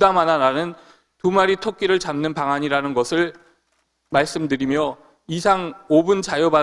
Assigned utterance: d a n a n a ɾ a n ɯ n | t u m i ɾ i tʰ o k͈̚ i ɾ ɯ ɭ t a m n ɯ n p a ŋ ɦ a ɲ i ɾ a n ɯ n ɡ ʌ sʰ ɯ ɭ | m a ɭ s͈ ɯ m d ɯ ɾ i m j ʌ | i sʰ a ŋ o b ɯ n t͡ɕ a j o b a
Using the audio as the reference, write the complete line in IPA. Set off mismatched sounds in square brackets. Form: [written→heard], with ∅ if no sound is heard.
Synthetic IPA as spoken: d a [n→m] a n a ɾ a n ɯ n | t u m [i→a] ɾ i tʰ o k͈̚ i ɾ ɯ ɭ [t→t͡ɕ] a m n ɯ n p a ŋ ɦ a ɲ i ɾ a n ɯ n ɡ ʌ sʰ ɯ ɭ | m a ɭ s͈ ɯ m d ɯ ɾ i m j ʌ | i sʰ a ŋ o b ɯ n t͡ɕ a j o b a